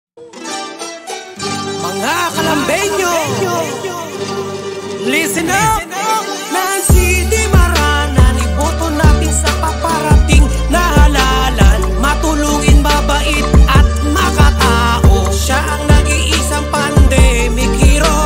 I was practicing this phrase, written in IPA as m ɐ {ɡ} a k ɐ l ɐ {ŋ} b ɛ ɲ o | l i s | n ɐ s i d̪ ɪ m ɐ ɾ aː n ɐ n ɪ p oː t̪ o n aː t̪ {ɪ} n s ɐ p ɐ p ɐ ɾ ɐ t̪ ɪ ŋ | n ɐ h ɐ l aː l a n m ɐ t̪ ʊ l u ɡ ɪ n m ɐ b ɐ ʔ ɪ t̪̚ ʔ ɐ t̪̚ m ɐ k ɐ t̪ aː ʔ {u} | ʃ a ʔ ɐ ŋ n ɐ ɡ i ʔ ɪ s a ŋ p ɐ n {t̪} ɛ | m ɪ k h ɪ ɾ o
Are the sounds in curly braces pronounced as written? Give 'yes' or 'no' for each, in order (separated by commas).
no, no, yes, no, no